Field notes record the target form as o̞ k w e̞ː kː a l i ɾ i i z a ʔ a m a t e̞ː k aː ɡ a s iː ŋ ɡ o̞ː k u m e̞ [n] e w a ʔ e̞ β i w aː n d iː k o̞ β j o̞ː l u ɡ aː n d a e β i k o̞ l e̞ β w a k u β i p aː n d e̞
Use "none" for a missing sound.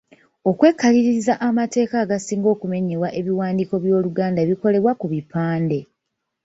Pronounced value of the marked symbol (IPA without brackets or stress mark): ɲ